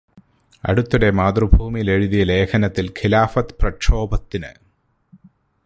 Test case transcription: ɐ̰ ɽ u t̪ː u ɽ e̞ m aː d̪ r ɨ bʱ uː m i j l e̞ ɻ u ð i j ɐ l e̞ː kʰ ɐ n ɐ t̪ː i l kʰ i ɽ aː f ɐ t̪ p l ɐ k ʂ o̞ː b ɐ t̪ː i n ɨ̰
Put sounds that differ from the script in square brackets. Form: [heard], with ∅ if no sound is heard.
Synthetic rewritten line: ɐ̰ ɽ u t̪ː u ɽ e̞ m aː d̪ r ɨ bʱ uː m i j l e̞ ɻ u ð i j ɐ l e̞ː kʰ ɐ n ɐ t̪ː i l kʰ i [l] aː f ɐ t̪ p [r] ɐ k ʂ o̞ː b ɐ t̪ː i n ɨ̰

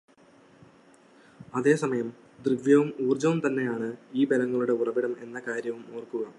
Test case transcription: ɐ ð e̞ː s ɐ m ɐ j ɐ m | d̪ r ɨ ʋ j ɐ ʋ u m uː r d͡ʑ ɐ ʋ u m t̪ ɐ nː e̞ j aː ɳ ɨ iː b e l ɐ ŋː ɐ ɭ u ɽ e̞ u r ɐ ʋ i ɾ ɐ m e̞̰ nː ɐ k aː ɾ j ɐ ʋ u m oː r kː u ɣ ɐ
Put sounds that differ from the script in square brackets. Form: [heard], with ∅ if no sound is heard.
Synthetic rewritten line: ɐ ð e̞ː s ɐ m ɐ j ɐ m | d̪ r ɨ ʋ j ɐ ʋ u m uː r d͡ʑ ɐ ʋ u m t̪ ɐ nː e̞ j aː ɳ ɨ iː b e l ɐ ŋː ɐ ɭ u ɽ e̞ u r ɐ ʋ i [ɽ] ɐ m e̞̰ nː ɐ k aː ɾ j ɐ ʋ u m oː r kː u ɣ ɐ

